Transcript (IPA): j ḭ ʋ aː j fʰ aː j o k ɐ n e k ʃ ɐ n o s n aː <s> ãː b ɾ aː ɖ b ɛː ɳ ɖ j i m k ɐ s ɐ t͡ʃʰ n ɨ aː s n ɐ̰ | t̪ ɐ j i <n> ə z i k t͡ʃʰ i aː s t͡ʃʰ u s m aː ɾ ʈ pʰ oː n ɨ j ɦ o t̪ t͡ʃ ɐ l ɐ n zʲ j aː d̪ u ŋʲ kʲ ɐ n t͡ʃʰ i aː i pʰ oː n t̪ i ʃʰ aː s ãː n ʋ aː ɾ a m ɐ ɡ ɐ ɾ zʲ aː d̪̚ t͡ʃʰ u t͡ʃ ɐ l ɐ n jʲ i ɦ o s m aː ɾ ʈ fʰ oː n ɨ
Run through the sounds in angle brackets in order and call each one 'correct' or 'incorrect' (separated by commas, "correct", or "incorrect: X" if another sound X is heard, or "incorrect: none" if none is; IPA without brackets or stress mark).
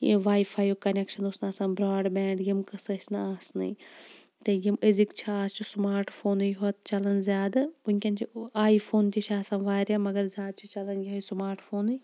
correct, incorrect: m